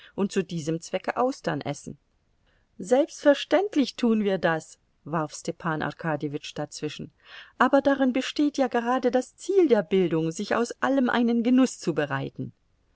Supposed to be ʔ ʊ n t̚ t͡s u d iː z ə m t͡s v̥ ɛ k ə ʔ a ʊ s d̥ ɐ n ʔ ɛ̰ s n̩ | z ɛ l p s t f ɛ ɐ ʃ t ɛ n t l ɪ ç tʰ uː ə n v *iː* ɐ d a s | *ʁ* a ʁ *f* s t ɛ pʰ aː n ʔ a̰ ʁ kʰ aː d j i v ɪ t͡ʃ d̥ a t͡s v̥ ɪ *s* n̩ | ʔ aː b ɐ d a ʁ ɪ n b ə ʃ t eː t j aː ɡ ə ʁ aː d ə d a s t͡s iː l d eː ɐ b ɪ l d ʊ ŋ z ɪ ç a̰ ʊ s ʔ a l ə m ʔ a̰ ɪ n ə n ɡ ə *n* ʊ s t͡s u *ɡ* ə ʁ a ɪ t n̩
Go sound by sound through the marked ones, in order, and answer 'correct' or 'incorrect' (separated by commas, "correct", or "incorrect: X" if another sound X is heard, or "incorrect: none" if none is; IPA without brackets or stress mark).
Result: correct, incorrect: v, correct, incorrect: ʃ, correct, incorrect: b